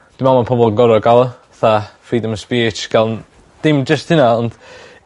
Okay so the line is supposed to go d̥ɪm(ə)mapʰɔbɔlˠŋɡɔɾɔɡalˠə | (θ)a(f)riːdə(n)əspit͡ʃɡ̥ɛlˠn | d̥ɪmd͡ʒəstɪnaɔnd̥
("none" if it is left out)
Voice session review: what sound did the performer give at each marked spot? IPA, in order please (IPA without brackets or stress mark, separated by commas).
a, θ, f, m